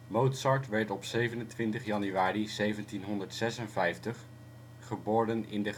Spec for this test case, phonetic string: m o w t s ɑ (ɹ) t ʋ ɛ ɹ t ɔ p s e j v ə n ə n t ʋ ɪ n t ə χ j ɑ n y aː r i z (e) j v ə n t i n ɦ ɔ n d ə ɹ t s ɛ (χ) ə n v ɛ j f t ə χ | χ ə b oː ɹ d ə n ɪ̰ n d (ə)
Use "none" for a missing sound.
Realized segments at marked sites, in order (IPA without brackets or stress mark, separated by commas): ɹ, e, s, ə